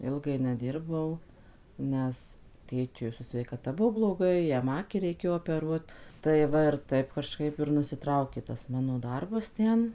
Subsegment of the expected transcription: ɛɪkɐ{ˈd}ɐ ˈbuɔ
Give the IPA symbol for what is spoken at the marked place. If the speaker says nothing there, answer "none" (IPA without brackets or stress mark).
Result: t